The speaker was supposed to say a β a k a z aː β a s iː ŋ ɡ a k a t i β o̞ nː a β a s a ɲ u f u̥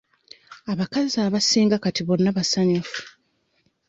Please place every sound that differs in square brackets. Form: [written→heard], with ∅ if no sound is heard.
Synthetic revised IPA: a β a k a z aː β a s iː ŋ ɡ a k a t i β o̞ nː a β a s a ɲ u f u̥

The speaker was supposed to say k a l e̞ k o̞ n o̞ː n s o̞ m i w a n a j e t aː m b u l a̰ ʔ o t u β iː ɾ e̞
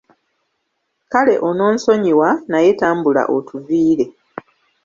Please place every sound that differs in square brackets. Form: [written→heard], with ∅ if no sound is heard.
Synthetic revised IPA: k a l e̞ [k→ʔ] o̞ n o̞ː n s o̞ [m→ɲ] i w a n a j e t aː m b u l a̰ ʔ o t u [β→v] iː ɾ e̞

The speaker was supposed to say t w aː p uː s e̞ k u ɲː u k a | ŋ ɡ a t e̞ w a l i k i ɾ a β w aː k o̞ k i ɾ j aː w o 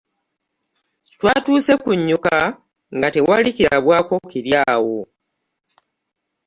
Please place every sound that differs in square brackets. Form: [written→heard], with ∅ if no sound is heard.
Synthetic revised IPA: t w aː [p→t] uː s e̞ k u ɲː u k a | ŋ ɡ a t e̞ w a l i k i ɾ a β w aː k o̞ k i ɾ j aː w o

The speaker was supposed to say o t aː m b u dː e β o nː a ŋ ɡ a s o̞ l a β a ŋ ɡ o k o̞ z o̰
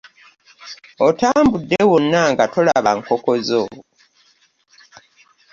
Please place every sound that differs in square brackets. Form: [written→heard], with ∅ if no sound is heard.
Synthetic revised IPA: o t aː m b u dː e [β→w] o nː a ŋ ɡ a [s→t] o̞ l a β a ŋ [ɡ→k] o k o̞ z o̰

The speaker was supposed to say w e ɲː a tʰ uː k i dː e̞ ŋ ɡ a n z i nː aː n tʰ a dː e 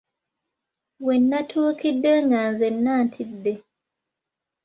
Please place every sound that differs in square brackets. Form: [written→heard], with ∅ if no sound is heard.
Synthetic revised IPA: w e [ɲː→nː] a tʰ uː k i dː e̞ ŋ ɡ a n z [i→e] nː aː n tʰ [a→i] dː e

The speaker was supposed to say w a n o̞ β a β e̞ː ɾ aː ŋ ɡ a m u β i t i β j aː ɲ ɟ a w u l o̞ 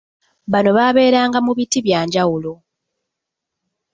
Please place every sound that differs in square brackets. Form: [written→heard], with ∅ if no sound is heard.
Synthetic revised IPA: [w→β] a n o̞ β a β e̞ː ɾ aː ŋ ɡ a m u β i t i β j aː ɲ ɟ a w u l o̞

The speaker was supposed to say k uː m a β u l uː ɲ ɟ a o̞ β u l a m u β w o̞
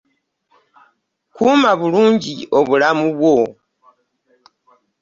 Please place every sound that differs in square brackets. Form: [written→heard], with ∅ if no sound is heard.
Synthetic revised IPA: k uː m a β u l uː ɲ ɟ [a→i] o̞ β u l a m u β w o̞

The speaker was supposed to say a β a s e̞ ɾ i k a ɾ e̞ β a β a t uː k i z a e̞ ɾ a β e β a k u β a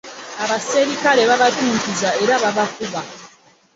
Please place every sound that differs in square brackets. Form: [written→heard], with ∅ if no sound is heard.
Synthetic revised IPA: a β a s e̞ ɾ i k a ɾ e̞ β a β a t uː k i z a e̞ ɾ a β [e→a] β a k u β a

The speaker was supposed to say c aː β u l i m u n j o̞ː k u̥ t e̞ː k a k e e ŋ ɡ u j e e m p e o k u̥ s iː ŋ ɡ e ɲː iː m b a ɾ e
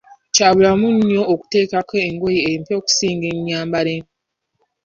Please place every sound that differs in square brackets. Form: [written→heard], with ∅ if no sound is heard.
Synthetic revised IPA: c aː β u l [i→a] m u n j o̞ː k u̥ t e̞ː k a k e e ŋ ɡ [u→o] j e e m p e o k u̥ s iː ŋ ɡ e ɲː [iː→aː] m b a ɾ e

